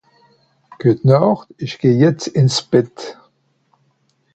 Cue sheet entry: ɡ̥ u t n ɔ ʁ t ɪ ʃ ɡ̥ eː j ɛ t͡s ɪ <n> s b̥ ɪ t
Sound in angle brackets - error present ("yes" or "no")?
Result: no